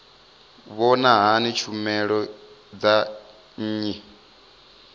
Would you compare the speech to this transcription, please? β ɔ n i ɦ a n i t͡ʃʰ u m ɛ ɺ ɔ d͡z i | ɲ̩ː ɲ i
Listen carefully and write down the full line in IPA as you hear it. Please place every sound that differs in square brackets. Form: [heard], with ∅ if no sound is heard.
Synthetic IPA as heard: β ɔ n [a] ɦ a n i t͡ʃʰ u m ɛ ɺ ɔ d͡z [a] | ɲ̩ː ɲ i

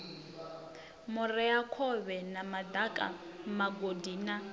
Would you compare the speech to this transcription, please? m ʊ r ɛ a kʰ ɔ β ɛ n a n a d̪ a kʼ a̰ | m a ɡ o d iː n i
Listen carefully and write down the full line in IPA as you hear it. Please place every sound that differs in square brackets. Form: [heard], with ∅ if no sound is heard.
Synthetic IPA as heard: m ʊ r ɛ a kʰ ɔ β ɛ n a [m] a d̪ a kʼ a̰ | m a ɡ o d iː n [a]

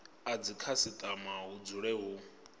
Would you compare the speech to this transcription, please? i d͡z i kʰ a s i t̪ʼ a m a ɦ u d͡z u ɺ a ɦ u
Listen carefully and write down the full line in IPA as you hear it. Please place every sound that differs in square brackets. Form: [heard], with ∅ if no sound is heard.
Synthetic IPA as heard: [a] d͡z i kʰ a s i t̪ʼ a m a ɦ u d͡z u ɺ [ɛ] ɦ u

